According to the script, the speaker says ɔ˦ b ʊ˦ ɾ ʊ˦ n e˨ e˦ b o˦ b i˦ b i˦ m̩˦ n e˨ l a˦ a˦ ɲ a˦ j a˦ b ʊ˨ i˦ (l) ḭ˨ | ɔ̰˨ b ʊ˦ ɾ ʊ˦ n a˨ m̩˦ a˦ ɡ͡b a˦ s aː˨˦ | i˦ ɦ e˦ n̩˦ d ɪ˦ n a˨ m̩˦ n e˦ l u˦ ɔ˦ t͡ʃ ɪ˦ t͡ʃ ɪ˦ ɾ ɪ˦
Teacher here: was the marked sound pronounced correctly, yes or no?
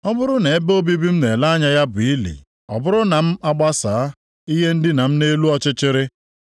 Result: yes